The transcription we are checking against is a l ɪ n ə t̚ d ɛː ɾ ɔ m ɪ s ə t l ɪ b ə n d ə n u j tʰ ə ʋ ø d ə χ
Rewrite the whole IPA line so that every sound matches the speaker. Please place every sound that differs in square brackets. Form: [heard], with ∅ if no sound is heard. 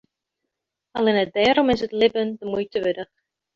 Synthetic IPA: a l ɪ n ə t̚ d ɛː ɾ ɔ m ɪ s ə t l ɪ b ə n d ə [m] u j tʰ ə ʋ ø d ə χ